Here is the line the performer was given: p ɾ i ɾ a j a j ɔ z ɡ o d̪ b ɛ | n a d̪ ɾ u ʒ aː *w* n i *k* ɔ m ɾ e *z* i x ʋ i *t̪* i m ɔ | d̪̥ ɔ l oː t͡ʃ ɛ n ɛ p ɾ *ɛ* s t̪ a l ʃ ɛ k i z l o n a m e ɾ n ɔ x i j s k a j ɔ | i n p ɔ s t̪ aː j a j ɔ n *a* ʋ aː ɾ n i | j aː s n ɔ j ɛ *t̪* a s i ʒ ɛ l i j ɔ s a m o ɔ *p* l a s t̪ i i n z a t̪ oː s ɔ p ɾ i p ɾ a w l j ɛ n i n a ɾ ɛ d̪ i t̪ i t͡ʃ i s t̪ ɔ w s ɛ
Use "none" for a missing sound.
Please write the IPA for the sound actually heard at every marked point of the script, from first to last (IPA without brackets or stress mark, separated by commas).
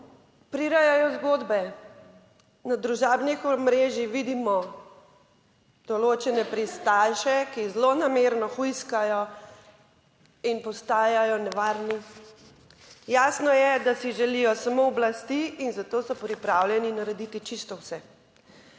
b, x, ʒ, d̪, i, ɛ, d̪, b